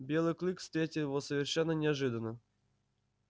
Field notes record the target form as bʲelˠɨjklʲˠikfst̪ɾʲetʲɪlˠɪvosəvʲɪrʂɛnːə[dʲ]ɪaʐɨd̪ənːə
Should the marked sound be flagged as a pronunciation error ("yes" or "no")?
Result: yes